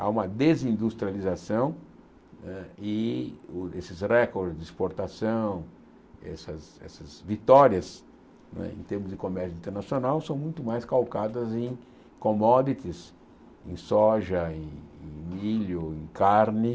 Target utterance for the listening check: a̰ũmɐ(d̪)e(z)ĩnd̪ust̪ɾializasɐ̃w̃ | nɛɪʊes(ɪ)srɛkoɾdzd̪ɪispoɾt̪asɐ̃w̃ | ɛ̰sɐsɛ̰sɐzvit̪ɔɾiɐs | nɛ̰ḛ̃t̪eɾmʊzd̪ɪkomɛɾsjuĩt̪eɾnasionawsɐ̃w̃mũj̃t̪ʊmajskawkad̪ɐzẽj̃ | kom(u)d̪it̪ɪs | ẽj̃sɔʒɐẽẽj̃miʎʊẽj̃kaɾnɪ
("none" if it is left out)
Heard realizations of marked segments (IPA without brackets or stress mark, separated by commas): d̪, z, ɪ, ɔ